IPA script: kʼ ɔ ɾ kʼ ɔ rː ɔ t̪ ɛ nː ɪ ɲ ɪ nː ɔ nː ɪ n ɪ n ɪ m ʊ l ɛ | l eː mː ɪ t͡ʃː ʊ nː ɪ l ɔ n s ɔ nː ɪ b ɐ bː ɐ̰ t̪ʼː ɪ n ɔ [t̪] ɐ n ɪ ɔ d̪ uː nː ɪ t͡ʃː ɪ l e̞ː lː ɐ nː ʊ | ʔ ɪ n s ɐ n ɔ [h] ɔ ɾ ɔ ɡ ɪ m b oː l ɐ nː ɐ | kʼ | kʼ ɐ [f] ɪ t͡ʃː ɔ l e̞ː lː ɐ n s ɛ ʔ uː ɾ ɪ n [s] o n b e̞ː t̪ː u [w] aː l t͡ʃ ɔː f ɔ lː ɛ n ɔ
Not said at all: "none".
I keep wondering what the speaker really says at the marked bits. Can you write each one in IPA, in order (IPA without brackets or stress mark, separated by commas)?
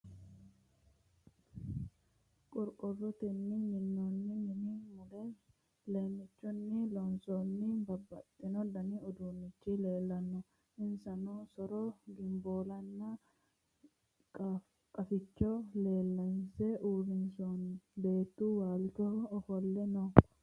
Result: d̪, s, f, s, w